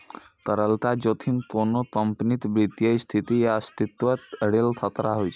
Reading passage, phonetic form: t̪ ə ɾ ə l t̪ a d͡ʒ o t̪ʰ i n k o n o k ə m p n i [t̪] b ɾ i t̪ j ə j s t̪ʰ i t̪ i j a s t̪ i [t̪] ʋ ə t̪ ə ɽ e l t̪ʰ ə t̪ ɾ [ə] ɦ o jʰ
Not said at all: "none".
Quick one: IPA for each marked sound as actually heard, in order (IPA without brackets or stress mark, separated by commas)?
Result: t̪, t̪, a